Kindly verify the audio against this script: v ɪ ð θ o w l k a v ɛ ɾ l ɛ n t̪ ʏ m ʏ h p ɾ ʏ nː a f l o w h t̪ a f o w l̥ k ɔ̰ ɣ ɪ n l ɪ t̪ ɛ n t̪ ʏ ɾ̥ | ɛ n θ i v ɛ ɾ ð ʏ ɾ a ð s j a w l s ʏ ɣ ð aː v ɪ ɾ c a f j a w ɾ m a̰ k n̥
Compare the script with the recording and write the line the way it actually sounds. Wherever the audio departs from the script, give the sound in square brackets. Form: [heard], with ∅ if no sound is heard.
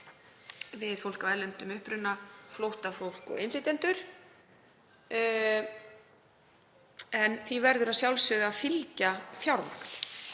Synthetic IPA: v ɪ ð [f] o w l k a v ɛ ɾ l ɛ n t̪ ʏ m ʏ h p ɾ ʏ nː a f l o w h t̪ a f o w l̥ k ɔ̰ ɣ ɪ n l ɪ t̪ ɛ n t̪ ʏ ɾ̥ | ɛ n θ i v ɛ ɾ ð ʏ ɾ a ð s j a w l s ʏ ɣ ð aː [f] ɪ [l] c a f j a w ɾ m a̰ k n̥